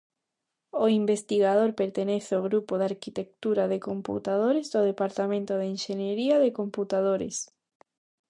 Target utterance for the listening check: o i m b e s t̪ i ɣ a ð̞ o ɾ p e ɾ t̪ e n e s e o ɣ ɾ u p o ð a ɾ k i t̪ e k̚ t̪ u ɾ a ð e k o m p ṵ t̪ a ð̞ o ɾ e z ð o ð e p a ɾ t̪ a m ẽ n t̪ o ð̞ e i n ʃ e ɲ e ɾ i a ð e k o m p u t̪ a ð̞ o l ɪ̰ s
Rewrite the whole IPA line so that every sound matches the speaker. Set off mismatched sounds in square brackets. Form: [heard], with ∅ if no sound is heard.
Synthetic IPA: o i m b e s t̪ i ɣ a ð̞ o ɾ p e ɾ t̪ e n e [θ] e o ɣ ɾ u p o ð a ɾ k i t̪ e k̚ t̪ u ɾ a ð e k o m p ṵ t̪ a ð̞ o ɾ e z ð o ð e p a ɾ t̪ a m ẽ n t̪ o ð̞ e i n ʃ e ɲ e ɾ i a ð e k o m p u t̪ a ð̞ o [ɾ] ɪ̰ s